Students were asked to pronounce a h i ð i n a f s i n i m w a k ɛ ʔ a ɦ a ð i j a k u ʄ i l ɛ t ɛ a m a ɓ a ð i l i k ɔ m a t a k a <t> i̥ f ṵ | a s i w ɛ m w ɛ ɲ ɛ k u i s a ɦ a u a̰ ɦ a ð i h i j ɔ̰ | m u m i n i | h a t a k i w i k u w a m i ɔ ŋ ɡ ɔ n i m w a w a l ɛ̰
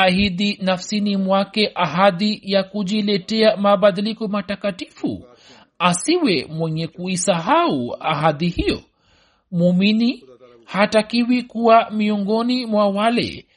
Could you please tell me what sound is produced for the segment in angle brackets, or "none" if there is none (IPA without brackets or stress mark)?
t